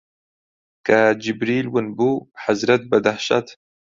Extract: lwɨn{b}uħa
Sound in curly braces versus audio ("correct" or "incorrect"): correct